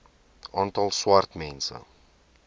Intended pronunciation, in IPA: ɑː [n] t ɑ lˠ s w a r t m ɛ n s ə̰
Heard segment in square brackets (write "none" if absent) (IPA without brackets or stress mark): n